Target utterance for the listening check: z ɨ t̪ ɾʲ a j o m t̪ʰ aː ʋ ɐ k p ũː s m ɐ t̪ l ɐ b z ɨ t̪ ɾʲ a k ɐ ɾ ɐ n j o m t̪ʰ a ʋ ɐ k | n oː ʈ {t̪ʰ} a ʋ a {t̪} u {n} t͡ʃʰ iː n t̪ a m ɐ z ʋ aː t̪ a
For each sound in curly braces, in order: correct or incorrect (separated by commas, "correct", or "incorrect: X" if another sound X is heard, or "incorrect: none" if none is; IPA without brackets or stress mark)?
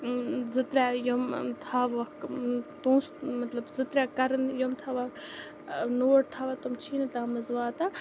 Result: correct, correct, incorrect: m